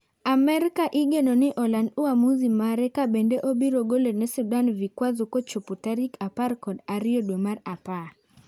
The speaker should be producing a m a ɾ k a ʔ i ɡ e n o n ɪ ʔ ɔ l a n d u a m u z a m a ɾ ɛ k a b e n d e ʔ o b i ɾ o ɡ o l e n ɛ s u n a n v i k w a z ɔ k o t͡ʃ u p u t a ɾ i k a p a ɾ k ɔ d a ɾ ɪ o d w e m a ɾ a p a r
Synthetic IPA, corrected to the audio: a m ɛ ɾ k a ʔ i ɡ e n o n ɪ ʔ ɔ l a n d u a m u z i m a ɾ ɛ k a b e n d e ʔ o b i ɾ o ɡ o l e n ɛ s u d a n v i k w a z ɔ k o t͡ʃ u p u t a ɾ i k a p a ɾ k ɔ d a ɾ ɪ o d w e m a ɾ a p a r